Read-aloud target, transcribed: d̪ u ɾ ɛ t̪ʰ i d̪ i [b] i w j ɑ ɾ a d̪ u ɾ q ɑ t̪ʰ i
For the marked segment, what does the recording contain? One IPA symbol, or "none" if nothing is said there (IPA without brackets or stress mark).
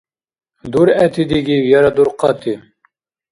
ɡ